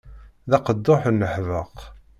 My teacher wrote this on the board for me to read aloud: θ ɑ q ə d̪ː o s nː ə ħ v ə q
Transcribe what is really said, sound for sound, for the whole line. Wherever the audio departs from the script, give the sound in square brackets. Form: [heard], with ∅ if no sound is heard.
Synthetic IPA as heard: [ð] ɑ q ə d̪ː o [ħ] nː ə ħ v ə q